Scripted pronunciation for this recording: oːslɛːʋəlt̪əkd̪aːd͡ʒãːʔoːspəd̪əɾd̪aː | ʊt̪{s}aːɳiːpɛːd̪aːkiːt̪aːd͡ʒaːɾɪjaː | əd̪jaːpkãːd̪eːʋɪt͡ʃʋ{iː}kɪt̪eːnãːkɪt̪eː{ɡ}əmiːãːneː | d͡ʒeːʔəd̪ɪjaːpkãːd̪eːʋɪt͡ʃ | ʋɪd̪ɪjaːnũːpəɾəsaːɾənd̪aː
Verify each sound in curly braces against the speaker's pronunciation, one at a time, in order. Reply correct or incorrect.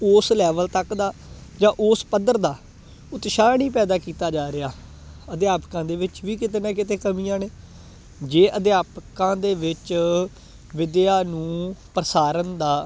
incorrect, correct, incorrect

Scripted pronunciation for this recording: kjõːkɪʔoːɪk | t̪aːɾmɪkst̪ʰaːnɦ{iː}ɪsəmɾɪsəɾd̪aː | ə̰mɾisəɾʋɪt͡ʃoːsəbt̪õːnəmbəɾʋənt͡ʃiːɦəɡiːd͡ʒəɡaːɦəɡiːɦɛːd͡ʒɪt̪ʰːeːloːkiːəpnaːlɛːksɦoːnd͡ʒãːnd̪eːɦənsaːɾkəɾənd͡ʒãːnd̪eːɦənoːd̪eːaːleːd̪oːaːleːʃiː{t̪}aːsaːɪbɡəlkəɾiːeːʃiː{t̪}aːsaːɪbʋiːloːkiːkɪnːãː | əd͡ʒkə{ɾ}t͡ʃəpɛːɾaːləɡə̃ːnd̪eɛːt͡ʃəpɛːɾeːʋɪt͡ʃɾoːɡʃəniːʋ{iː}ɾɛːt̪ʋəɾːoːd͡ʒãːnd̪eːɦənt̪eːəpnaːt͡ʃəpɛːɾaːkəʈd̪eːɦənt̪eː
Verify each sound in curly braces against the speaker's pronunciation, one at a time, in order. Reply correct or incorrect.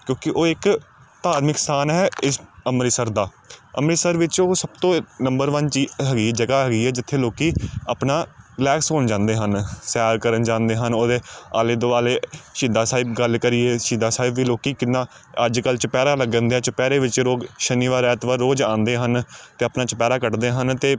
incorrect, incorrect, incorrect, incorrect, incorrect

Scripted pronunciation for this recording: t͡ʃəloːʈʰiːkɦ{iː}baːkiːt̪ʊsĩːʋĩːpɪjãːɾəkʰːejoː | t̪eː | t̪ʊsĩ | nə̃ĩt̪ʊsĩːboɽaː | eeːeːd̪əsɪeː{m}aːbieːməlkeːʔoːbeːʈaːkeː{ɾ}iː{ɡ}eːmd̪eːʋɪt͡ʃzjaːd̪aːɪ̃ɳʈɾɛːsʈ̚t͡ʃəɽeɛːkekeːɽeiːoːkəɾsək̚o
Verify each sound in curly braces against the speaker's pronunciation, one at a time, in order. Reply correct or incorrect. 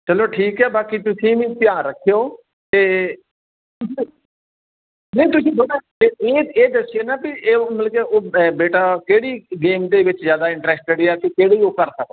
incorrect, incorrect, incorrect, correct

